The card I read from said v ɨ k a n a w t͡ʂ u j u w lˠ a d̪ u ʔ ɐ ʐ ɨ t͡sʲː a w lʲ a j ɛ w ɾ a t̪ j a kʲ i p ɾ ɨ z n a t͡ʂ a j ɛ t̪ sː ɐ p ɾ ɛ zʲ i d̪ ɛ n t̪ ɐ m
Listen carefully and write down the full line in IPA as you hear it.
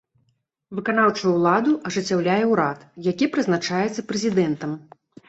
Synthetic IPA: v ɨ k a n a w t͡ʂ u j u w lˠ a d̪ u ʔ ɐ ʐ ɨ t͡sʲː a w lʲ a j ɛ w ɾ a t̪ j a kʲ i p ɾ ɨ z n a t͡ʂ a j ɛ t̪ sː ɐ p ɾ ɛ zʲ i d̪ ɛ n t̪ ɐ m